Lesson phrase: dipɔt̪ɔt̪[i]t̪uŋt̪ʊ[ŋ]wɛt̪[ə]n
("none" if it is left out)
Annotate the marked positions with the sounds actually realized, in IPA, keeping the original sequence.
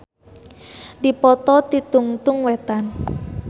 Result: i, ŋ, a

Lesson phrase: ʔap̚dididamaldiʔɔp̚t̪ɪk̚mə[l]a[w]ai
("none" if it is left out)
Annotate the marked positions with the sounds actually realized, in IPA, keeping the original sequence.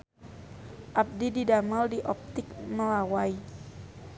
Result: l, w

